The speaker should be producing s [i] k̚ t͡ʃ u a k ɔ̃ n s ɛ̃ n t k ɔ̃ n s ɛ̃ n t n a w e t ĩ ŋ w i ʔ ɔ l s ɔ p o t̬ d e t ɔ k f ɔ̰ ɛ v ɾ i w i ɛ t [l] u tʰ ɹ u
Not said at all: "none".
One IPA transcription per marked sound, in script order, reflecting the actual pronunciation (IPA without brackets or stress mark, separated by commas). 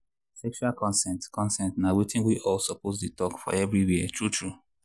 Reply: ɛ, ɹ